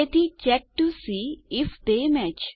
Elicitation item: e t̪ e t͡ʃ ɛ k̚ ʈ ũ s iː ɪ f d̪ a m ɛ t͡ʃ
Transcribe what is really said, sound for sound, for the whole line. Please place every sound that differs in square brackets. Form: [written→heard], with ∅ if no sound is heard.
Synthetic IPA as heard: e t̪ [e→i] t͡ʃ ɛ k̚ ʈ [ũ→u] s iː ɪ f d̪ [a→e] m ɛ t͡ʃ